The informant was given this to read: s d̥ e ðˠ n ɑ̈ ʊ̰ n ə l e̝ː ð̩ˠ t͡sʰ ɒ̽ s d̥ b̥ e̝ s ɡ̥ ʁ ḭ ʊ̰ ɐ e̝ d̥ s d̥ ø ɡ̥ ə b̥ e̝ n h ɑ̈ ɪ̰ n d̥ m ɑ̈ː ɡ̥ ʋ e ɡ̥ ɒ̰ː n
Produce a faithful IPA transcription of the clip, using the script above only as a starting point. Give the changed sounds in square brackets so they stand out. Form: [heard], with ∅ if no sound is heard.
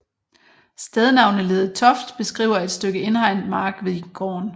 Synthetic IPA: s d̥ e ðˠ n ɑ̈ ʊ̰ n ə l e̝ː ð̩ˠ t͡sʰ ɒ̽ [f] d̥ b̥ e̝ s ɡ̥ ʁ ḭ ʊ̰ ɐ e̝ d̥ s d̥ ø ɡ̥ ə [∅] e̝ n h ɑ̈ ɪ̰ n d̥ m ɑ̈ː ɡ̥ ʋ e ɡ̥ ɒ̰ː n